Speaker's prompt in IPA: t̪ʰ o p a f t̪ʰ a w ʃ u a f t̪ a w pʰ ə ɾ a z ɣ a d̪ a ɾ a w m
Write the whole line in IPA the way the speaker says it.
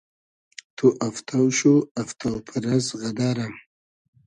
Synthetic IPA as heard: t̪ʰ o ʔ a f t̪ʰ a w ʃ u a f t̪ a w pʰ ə ɾ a z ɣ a d̪ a ɾ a m